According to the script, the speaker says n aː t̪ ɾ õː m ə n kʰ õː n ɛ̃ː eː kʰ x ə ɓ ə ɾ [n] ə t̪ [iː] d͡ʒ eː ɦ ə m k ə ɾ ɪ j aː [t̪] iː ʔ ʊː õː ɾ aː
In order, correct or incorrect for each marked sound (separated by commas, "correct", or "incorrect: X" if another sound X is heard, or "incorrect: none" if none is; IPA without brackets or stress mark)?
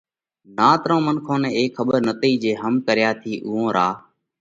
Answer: correct, correct, incorrect: t̪ʰ